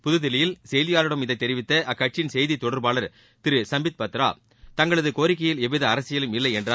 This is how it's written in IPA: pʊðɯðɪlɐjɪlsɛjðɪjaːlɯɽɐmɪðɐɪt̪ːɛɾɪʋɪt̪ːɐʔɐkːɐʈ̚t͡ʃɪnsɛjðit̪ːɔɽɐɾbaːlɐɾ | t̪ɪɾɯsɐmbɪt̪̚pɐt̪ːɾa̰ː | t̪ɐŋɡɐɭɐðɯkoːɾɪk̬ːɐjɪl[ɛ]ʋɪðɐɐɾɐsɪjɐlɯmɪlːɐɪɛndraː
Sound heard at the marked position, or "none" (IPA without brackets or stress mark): ɛ